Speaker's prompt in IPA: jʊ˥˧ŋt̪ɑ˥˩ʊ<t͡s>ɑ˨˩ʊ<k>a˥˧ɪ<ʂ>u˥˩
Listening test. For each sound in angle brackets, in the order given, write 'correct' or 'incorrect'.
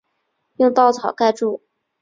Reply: incorrect, correct, incorrect

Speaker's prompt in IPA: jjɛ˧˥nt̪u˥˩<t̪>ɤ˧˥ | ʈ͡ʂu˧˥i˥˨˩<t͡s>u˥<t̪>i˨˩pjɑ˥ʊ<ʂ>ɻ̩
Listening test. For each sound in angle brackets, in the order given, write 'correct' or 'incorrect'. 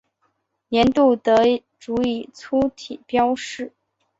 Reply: correct, incorrect, incorrect, correct

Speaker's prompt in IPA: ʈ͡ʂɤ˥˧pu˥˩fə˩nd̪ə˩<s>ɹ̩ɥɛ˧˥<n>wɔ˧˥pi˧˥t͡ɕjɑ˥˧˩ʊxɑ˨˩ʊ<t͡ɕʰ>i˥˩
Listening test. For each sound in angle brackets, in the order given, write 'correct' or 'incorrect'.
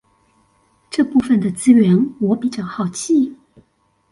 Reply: incorrect, correct, correct

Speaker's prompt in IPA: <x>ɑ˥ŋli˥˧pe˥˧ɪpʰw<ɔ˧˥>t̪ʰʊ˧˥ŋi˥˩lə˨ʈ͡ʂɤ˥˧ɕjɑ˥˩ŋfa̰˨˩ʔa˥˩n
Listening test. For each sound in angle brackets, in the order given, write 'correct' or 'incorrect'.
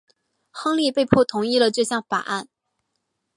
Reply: correct, incorrect

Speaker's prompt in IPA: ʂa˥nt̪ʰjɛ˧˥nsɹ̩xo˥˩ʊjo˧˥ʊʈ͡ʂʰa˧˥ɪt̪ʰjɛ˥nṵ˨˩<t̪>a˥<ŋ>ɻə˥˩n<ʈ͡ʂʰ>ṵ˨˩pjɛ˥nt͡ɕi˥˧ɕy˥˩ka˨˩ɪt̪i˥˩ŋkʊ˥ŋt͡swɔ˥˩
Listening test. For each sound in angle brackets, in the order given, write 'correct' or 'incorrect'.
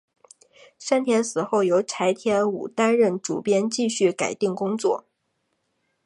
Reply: correct, incorrect, incorrect

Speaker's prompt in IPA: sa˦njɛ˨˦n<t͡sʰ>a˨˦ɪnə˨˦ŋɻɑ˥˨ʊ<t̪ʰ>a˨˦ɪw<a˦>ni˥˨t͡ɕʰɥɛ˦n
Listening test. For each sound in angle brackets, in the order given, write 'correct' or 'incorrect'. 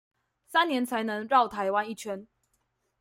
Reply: correct, correct, correct

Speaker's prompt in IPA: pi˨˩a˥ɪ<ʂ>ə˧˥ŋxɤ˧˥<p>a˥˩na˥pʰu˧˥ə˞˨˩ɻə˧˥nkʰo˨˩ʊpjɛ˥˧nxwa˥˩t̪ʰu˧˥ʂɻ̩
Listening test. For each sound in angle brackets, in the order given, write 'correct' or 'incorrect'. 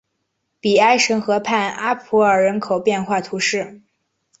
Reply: correct, incorrect

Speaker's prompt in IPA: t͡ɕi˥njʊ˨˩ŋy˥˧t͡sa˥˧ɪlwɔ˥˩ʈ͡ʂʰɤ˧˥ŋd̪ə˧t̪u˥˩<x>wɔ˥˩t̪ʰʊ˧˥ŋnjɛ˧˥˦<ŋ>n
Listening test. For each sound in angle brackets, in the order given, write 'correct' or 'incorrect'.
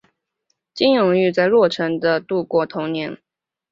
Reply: incorrect, incorrect

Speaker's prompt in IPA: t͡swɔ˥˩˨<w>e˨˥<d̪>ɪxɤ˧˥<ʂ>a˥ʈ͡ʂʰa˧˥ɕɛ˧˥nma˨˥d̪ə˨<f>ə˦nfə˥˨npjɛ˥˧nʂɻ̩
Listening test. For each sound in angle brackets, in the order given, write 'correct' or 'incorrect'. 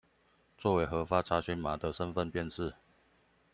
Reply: correct, incorrect, incorrect, incorrect

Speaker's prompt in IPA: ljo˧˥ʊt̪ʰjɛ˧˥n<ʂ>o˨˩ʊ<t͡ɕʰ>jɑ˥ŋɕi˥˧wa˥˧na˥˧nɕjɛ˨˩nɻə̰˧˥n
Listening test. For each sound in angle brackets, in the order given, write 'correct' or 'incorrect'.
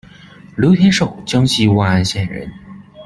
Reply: correct, incorrect

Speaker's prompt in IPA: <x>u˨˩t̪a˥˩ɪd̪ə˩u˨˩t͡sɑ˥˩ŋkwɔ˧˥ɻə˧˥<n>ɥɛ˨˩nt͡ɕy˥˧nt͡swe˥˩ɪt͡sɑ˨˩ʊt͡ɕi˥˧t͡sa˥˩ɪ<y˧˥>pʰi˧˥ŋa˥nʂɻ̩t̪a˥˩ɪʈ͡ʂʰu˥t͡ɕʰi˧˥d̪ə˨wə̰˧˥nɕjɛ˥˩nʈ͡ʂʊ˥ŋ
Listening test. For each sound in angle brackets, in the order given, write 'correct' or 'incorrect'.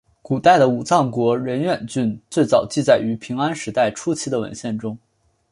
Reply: incorrect, correct, correct

